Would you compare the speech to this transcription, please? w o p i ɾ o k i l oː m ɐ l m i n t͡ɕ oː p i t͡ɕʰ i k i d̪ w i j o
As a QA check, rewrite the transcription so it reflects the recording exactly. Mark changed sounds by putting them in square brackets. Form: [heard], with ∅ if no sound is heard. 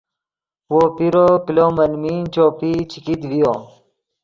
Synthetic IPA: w o p i ɾ o k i l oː m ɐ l m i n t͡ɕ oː p i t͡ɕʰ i k i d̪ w i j o